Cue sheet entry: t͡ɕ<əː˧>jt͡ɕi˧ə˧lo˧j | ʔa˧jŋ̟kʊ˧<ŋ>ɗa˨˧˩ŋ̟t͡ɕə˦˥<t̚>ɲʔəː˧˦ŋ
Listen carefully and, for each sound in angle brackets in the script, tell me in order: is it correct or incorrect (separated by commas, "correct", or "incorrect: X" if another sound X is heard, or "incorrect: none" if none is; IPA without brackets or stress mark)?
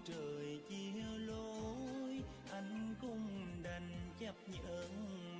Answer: incorrect: əː˨˩, incorrect: ŋ͡m, incorrect: p̚